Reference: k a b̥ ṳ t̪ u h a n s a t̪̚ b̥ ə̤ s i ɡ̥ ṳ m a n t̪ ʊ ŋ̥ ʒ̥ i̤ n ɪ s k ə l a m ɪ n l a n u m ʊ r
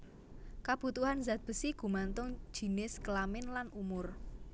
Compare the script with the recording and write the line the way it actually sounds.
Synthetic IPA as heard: k a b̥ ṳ t̪ u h a n z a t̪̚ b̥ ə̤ s i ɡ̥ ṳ m a n t̪ ʊ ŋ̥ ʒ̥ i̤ n ɪ s k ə l a m ɪ n l a n u m ʊ r